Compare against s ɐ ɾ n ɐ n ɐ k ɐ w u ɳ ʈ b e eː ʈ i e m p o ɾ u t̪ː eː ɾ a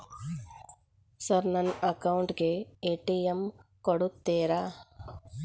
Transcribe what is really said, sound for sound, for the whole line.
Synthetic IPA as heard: s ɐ ɾ n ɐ n ɐ k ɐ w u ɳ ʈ ɡ e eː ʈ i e m k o ɽ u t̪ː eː ɾ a

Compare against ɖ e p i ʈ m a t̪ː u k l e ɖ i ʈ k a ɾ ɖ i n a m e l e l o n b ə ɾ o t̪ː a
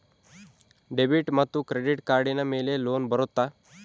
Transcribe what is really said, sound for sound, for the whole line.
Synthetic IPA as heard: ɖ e b i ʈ m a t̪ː u k ɾ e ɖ i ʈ k a ɾ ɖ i n a m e l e l o n b ə ɾ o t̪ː a

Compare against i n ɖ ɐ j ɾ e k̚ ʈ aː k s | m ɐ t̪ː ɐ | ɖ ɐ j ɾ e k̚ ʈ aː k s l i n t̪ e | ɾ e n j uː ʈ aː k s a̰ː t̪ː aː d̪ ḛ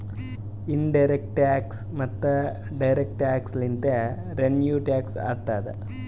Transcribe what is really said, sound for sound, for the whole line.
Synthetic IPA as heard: i n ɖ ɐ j ɾ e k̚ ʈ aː k s | m ɐ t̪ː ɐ | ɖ ɐ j ɾ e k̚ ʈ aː k s l i n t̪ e | ɾ e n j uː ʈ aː k s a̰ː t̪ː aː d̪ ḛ

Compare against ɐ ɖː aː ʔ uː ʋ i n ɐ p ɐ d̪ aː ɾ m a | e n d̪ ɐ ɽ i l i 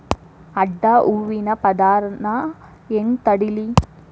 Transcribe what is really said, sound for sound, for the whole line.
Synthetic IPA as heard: ɐ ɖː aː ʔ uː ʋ i n ɐ p ɐ d̪ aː ɾ n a | e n t̪ ɐ ɽ i l i

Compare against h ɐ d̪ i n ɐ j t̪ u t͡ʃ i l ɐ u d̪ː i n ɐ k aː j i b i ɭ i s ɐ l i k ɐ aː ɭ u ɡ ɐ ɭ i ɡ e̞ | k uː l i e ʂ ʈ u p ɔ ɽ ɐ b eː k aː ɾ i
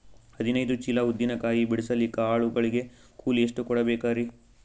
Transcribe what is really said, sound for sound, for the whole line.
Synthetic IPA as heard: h ɐ d̪ i n ɐ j d̪ u t͡ʃ i l ɐ u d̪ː i n ɐ k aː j i b i ɽ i s ɐ l i k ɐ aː ɭ u ɡ ɐ ɭ i ɡ e̞ | k uː l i e ʂ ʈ u k ɔ ɽ ɐ b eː k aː ɾ i

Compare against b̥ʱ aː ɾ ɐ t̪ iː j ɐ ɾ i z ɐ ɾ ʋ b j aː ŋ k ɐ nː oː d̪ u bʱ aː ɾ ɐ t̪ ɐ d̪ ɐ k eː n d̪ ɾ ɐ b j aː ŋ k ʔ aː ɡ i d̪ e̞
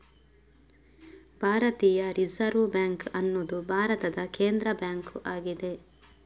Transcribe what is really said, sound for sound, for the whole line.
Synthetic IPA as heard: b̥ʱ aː ɾ ɐ t̪ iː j ɐ ɾ i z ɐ ɾ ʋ b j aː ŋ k ɐ nː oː d̪ u bʱ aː ɾ ɐ t̪ ɐ d̪ ɐ k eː n d̪ ɾ ɐ b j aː ŋ k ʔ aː ɡ i d̪ e̞

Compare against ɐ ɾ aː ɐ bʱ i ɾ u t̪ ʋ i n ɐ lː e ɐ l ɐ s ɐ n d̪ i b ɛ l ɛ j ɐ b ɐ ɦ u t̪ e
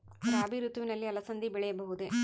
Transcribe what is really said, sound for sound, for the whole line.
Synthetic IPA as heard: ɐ ɾ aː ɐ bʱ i ɾ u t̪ ʋ i n ɐ lː i ɐ l ɐ s ɐ n d̪ i b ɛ ɭ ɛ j ɐ b ɐ ɦ u d̪ e

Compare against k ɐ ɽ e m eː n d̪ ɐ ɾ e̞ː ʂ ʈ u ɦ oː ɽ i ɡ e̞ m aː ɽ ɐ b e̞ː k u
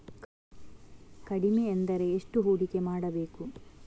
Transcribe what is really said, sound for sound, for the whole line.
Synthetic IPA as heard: k ɐ ɽ i m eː n d̪ ɐ ɾ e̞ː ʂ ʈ u ɦ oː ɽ i k e̞ m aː ɽ ɐ b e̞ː k u

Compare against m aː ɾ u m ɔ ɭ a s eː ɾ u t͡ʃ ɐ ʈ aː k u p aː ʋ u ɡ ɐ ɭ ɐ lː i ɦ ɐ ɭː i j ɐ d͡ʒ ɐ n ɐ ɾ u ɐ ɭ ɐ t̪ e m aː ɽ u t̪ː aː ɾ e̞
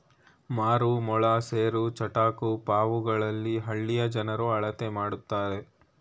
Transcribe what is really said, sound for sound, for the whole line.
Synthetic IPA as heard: m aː ɾ u m ɔ ɭ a s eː ɾ u t͡ʃ ɐ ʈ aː k u p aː ʋ u ɡ ɐ ɭ ɐ lː i ɦ ɐ ɭː i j ɐ d͡ʒ ɐ n ɐ ɾ u ɐ ɭ ɐ t̪ e m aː ɽ u t̪ː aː ɾ e̞

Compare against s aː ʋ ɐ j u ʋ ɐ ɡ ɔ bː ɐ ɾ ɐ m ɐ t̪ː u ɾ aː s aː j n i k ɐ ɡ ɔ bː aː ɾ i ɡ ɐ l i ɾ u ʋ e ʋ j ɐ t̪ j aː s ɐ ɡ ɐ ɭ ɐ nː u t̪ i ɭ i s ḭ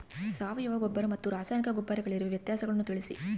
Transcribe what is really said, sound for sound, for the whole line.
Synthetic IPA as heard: s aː ʋ ɐ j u ʋ ɐ ɡ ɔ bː ɐ ɾ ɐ m ɐ t̪ː u ɾ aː s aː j n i k ɐ ɡ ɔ bː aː ɾ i ɡ ɐ ɭ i ɾ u ʋ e ʋ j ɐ t̪ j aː s ɐ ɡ ɐ ɭ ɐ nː u t̪ i ɭ i s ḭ

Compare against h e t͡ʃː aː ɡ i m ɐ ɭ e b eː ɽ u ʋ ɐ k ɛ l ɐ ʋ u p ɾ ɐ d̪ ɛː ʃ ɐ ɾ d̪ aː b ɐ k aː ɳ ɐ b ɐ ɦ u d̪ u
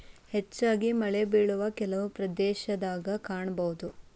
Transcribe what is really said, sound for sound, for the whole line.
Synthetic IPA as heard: h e t͡ʃː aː ɡ i m ɐ ɭ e b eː ɭ u ʋ ɐ k ɛ l ɐ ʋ u p ɾ ɐ d̪ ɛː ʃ ɐ d̪ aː ɡ ɐ k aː ɳ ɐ b ɐ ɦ u d̪ u

